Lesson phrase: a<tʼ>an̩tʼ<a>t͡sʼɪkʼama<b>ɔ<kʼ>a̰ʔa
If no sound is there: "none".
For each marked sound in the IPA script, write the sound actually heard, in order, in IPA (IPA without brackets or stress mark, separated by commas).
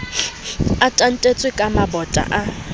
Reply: tʼ, e, b, tʼ